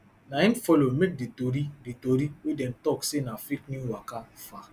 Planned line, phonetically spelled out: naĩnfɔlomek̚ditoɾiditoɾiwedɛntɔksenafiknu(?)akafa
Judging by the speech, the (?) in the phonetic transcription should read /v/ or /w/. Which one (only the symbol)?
w